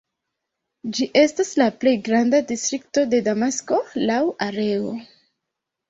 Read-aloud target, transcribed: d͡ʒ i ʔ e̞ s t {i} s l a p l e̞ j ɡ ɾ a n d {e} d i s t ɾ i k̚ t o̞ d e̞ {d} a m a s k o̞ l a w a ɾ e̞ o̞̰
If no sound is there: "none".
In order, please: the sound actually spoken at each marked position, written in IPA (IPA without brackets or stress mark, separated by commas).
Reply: a, a, d